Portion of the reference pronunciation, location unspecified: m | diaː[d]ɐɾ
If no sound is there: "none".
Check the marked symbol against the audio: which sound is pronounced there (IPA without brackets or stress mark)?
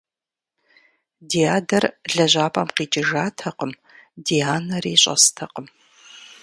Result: n